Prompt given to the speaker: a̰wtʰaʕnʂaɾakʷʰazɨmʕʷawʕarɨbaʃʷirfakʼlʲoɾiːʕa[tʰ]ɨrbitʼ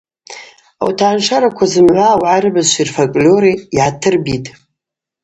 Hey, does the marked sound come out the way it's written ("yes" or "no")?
yes